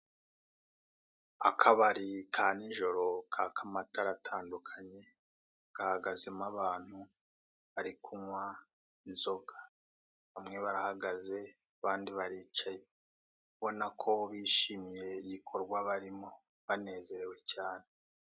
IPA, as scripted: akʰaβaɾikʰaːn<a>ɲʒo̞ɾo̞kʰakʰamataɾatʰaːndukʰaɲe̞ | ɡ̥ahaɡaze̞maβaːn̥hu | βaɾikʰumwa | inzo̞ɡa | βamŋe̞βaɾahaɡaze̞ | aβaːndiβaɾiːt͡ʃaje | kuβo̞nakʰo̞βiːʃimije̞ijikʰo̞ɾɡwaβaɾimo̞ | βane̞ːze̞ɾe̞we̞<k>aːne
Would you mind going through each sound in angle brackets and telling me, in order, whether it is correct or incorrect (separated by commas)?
incorrect, incorrect